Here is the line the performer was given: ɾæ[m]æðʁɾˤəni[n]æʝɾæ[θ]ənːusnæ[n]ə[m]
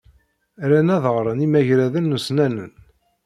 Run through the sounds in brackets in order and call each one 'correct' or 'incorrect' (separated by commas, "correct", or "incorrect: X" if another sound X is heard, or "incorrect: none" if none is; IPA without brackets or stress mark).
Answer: incorrect: n, incorrect: m, incorrect: ð, correct, incorrect: n